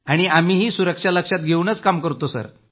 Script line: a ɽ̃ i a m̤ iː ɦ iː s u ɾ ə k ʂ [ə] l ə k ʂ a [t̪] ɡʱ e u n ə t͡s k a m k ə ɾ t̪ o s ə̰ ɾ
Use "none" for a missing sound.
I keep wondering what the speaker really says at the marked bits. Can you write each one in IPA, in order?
a, t̪

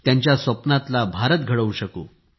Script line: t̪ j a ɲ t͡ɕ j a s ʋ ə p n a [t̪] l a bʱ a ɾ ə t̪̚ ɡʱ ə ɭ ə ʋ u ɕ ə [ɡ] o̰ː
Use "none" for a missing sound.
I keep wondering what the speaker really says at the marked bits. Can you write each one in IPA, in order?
t̪, k

